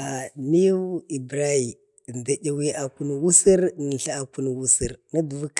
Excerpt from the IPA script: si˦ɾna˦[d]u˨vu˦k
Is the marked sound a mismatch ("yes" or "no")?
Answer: no